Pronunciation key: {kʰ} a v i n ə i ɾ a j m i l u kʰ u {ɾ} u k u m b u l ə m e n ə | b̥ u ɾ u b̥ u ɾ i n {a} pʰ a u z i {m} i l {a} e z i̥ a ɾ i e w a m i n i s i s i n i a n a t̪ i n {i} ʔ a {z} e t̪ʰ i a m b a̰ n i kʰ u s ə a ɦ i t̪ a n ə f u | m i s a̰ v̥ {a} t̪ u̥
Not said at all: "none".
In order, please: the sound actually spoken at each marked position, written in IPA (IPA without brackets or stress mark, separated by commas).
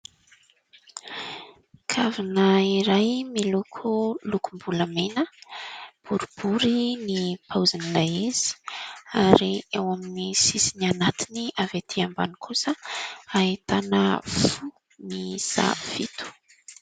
kʰ, l, i, n, a, i, v, i